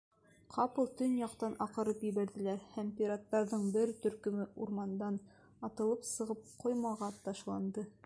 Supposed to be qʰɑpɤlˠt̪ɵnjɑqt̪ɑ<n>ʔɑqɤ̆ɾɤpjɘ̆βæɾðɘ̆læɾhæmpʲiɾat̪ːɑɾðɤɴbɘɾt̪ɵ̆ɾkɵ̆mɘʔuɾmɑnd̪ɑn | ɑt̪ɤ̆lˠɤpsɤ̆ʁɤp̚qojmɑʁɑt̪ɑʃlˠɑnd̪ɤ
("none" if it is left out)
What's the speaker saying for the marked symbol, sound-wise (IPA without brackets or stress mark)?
n